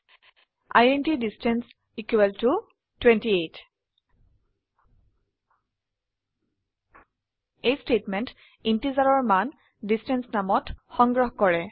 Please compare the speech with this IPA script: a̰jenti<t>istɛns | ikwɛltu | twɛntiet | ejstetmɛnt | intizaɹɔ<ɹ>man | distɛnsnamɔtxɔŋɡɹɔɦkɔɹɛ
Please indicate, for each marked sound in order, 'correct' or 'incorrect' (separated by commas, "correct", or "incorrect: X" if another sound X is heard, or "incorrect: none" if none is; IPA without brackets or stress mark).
incorrect: d, correct